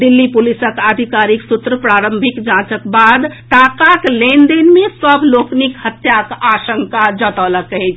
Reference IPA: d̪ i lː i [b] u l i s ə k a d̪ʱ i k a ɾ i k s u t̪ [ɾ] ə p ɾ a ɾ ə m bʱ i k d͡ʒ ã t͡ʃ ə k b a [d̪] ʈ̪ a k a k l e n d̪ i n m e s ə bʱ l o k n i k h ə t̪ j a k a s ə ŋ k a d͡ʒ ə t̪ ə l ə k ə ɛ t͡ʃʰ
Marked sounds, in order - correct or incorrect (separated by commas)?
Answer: incorrect, correct, correct